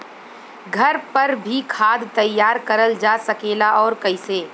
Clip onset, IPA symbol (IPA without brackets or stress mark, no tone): ɡʱ